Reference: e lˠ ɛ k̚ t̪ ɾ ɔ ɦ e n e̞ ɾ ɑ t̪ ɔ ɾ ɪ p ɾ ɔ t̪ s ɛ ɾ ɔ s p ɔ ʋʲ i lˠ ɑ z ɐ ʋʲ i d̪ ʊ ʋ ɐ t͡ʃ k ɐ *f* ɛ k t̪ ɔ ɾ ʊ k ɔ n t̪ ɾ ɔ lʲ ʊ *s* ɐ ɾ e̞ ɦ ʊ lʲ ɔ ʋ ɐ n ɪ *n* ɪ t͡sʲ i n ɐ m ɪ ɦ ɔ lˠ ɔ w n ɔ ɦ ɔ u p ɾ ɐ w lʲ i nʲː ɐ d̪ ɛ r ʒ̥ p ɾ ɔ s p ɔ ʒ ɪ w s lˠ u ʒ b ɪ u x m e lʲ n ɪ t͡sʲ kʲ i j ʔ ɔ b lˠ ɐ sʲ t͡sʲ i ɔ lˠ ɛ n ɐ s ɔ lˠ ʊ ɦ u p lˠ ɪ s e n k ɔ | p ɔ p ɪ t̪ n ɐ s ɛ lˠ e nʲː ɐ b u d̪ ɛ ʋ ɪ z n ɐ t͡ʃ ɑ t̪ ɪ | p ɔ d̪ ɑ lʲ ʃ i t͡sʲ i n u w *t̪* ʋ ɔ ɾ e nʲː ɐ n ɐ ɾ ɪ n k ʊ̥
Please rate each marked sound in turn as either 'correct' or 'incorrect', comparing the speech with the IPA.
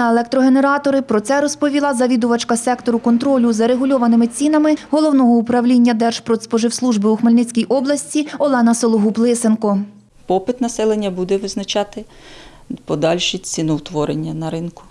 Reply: incorrect, incorrect, incorrect, correct

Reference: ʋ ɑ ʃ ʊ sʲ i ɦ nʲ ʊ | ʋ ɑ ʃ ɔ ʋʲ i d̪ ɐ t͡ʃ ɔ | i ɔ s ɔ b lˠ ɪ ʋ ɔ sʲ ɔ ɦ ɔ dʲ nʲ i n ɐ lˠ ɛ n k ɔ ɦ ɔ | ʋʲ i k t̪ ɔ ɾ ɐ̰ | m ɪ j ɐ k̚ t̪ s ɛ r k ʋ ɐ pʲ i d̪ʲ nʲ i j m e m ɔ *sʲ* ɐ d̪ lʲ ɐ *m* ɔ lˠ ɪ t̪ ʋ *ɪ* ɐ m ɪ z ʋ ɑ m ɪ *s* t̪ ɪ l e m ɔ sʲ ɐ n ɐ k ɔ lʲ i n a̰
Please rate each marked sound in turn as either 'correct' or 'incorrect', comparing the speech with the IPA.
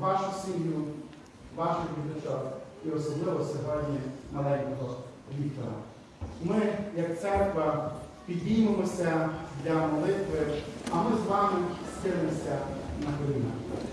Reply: correct, correct, correct, correct

